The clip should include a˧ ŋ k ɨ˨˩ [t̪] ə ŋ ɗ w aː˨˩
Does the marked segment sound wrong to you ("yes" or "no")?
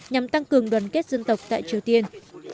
yes